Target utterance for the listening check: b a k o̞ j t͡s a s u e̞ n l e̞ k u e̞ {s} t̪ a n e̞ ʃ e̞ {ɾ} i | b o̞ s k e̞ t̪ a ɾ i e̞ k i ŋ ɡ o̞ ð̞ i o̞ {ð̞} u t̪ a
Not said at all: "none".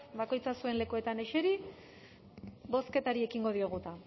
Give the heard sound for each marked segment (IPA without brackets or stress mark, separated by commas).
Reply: none, ɾ, ɣ̞